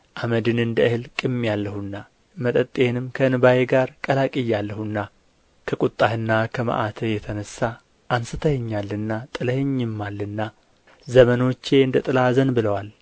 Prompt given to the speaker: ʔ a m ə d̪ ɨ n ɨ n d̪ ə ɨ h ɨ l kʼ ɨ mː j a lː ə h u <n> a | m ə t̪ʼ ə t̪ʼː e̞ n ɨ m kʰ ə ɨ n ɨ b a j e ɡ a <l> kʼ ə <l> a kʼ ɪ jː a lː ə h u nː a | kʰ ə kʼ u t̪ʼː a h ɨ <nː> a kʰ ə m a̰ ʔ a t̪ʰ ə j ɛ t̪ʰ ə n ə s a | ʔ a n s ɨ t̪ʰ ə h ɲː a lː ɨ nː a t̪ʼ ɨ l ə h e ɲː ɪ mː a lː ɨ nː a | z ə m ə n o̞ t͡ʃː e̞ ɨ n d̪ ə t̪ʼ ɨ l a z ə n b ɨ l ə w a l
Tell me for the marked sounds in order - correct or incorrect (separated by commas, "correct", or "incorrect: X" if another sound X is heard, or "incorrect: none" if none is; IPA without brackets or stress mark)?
incorrect: nː, incorrect: ɾ, correct, correct